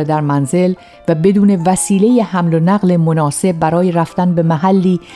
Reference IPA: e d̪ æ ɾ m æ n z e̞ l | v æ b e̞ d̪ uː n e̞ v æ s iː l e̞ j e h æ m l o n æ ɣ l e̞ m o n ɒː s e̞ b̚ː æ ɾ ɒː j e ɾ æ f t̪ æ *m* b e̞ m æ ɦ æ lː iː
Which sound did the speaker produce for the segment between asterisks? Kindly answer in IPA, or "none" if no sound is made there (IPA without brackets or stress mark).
n